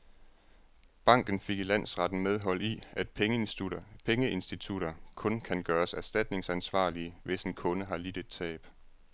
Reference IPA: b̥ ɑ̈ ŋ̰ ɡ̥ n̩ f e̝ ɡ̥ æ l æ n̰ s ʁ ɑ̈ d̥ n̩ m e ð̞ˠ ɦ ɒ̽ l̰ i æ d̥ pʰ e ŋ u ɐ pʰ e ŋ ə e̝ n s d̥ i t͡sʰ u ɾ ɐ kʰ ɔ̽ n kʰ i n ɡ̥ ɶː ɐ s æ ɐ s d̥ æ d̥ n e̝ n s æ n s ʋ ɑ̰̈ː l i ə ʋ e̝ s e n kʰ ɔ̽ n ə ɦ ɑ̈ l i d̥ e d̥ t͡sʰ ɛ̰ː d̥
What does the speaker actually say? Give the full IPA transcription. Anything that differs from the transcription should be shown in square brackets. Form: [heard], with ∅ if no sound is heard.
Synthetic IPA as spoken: b̥ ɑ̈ ŋ̰ ɡ̥ n̩ f e̝ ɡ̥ [i] l æ n̰ s ʁ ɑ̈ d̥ n̩ m e ð̞ˠ ɦ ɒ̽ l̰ i æ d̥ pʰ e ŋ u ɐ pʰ e ŋ ə e̝ n s d̥ i t͡sʰ u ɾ ɐ kʰ ɔ̽ n kʰ [æ] n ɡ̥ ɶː ɐ s æ ɐ s d̥ æ d̥ n e̝ [ŋ] s æ n s ʋ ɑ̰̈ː l i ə ʋ e̝ s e n kʰ ɔ̽ n ə ɦ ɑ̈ l i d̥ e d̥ t͡sʰ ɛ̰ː [b̥]